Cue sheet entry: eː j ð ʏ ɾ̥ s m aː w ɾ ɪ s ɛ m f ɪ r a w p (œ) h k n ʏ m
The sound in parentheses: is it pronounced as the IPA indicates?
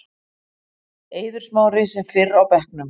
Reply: no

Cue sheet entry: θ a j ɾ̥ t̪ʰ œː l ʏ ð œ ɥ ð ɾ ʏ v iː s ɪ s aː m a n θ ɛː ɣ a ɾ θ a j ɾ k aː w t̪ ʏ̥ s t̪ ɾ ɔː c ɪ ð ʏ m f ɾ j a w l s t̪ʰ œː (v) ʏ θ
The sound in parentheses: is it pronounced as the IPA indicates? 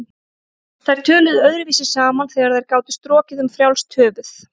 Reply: yes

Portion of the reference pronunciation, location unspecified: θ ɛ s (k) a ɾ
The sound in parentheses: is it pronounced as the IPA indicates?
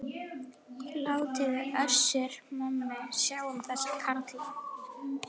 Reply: no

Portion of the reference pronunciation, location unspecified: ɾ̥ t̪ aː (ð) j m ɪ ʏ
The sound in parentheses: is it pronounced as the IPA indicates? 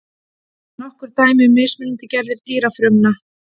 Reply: no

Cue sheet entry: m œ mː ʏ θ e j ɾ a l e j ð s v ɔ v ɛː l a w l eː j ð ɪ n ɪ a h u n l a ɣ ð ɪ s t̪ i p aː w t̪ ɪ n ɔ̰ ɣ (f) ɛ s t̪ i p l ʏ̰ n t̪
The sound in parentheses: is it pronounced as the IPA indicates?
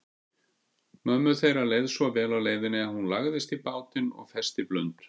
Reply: yes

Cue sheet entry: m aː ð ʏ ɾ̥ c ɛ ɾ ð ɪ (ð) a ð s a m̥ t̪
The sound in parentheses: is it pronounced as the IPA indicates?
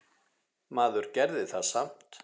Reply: no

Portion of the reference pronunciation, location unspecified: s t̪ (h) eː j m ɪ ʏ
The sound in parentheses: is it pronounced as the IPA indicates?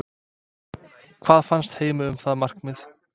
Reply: yes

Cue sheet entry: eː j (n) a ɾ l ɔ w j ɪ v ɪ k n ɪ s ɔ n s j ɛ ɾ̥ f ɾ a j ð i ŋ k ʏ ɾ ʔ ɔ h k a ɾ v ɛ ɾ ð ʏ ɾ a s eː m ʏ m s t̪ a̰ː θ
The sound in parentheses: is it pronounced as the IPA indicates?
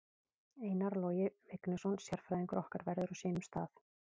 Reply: yes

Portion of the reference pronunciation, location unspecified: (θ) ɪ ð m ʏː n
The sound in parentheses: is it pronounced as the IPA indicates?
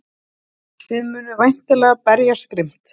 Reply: yes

